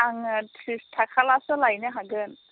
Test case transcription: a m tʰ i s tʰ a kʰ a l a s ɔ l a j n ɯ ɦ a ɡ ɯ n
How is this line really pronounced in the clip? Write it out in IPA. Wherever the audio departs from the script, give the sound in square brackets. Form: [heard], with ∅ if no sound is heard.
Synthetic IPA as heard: a [ŋ] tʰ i s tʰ a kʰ a l a s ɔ l a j n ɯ ɦ a ɡ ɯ n